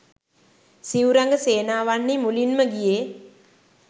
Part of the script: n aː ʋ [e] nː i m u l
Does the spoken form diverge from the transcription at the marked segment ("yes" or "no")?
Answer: yes